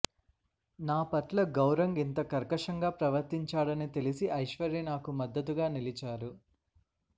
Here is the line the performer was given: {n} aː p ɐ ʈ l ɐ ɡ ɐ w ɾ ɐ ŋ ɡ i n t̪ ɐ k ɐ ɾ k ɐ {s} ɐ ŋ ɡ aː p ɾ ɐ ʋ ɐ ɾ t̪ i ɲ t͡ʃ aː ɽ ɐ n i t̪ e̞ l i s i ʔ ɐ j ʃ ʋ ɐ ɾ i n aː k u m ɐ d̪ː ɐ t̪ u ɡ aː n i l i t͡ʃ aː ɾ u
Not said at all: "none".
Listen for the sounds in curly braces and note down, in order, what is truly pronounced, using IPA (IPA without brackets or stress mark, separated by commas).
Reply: n, ʂ